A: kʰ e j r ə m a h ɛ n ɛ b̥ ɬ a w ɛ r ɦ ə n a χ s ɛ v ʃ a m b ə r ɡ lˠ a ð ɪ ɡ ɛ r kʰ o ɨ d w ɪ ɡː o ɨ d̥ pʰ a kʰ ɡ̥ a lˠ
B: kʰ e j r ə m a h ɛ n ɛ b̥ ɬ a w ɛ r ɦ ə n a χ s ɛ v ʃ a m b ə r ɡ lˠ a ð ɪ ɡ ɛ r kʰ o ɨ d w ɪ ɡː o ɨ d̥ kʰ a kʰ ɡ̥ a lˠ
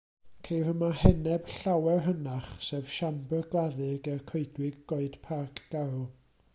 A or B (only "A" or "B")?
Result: A